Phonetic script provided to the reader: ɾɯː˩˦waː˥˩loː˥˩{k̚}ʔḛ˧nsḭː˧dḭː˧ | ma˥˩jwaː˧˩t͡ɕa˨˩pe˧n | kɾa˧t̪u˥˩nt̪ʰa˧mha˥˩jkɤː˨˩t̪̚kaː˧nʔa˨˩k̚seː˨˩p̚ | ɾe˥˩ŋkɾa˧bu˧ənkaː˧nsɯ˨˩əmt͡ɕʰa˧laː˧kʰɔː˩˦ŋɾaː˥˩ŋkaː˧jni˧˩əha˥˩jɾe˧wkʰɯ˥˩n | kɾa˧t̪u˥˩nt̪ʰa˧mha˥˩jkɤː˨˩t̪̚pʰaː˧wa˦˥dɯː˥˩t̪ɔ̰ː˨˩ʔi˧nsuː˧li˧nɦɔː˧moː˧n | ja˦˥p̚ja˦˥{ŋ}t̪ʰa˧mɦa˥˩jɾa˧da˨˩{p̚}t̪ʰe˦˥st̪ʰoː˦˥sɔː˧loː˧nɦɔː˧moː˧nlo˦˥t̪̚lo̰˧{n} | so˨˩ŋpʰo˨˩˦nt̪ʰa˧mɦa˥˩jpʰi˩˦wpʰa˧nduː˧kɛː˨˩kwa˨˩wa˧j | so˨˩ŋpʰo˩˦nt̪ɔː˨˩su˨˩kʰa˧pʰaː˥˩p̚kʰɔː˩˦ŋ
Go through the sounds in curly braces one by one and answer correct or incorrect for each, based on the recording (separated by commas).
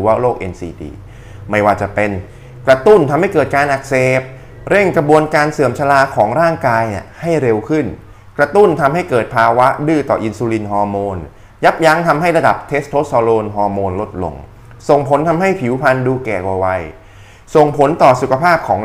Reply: correct, correct, correct, incorrect